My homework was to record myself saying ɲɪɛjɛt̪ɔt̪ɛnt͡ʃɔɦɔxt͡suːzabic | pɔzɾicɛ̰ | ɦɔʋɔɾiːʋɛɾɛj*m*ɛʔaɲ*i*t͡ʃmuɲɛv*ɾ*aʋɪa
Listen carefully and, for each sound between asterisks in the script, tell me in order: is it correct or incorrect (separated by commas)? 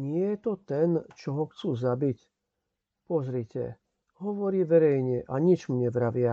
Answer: incorrect, correct, correct